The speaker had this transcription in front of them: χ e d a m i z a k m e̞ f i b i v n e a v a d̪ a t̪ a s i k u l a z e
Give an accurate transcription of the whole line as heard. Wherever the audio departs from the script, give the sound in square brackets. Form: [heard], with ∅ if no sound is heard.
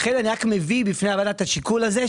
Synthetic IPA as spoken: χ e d a [n] i [ʁ] a k m e̞ [v] i b i [f] n e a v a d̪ a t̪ a [ʃ] i k u l a z e